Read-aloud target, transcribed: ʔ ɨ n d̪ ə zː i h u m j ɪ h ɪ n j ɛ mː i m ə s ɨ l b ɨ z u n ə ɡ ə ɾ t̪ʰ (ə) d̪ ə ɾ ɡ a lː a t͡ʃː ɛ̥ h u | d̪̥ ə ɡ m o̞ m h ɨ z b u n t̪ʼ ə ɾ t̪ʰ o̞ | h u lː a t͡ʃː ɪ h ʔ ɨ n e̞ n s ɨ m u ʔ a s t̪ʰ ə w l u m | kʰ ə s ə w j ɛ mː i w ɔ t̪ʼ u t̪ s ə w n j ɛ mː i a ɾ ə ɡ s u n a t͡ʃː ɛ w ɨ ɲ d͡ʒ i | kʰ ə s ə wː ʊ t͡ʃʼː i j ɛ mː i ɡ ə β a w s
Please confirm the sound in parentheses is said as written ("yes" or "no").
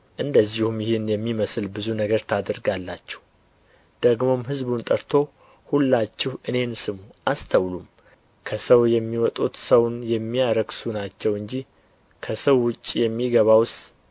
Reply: no